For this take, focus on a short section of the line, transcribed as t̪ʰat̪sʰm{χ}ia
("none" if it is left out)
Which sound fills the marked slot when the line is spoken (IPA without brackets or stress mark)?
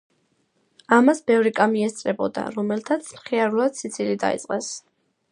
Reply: χ